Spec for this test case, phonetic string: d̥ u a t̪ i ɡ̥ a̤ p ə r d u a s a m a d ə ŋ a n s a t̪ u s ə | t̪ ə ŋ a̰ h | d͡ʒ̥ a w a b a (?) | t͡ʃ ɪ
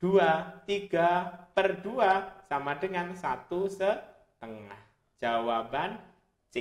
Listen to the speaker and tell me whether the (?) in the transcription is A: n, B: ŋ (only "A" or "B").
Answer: A